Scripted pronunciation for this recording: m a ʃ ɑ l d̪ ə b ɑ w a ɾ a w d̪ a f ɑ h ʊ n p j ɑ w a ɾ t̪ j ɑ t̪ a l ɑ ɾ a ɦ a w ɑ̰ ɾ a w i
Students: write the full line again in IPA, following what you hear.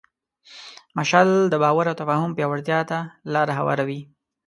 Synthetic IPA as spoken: m a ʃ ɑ l d̪ ə b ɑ w a ɾ a w t̪ a f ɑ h ʊ m p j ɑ w a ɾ t̪ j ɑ t̪ a l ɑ ɾ a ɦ a w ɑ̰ ɾ a w i